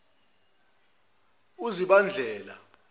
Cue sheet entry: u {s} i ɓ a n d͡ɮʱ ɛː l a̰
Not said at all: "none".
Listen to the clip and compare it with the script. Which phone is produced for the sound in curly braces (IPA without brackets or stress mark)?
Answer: z